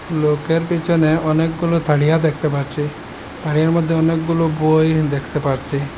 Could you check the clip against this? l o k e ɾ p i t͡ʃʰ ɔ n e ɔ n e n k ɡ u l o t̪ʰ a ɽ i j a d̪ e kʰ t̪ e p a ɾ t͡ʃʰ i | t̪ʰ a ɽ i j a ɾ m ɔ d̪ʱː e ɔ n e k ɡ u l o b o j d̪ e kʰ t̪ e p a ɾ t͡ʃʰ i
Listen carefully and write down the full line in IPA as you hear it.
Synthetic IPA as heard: l o k e ɾ p i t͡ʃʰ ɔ n e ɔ n e k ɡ u l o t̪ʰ a ɽ i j a d̪ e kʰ t̪ e p a ɾ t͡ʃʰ i | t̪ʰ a ɽ i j a ɾ m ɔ d̪ʱː e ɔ n e k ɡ u l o b o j d̪ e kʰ t̪ e p a ɾ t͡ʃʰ i